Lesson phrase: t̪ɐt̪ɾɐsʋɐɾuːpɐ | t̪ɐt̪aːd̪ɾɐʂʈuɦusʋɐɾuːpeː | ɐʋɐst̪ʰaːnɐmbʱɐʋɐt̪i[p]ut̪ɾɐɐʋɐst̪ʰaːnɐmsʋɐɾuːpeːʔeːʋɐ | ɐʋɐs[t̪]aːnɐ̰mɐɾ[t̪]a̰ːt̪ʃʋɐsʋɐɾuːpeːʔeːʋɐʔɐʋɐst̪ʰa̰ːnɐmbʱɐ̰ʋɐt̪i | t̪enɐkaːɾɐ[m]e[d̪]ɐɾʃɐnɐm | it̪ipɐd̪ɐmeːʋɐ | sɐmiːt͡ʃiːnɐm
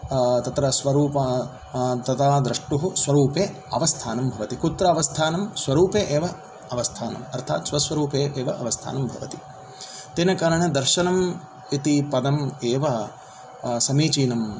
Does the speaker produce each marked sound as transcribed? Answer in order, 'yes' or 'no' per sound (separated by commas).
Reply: no, no, no, no, yes